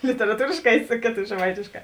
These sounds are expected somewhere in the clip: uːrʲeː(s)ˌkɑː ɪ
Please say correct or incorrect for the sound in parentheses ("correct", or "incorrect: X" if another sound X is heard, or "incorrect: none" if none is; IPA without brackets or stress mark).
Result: incorrect: ʃ